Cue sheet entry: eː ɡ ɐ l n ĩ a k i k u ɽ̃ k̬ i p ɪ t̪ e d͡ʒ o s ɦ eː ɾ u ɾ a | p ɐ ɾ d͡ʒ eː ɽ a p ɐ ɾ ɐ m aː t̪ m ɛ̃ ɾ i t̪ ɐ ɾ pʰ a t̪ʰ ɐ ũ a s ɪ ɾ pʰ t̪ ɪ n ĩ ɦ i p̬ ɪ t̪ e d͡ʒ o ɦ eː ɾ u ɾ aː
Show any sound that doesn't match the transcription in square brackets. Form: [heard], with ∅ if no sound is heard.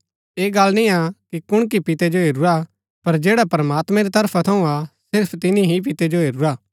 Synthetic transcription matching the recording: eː ɡ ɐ l n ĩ a k i k [ʊ] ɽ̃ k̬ i p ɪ t̪ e d͡ʒ o [∅] ɦ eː ɾ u ɾ a | p ɐ ɾ d͡ʒ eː ɽ a p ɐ ɾ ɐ m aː t̪ m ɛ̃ ɾ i t̪ ɐ ɾ pʰ a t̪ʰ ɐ ũ a s ɪ ɾ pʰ t̪ ɪ n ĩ ɦ i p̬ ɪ t̪ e d͡ʒ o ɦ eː ɾ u ɾ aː